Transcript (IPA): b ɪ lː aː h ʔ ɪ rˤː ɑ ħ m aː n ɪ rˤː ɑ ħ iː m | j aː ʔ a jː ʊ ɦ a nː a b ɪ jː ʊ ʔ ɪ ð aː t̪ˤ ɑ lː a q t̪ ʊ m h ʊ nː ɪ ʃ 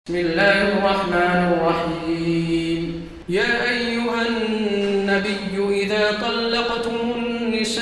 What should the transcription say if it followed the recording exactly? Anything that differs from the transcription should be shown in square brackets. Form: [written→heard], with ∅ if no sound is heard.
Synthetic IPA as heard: [b→m] ɪ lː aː h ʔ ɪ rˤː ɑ ħ m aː n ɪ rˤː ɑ ħ iː m | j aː ʔ a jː ʊ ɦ a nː a b ɪ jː ʊ ʔ ɪ ð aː t̪ˤ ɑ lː [a→ɑ] q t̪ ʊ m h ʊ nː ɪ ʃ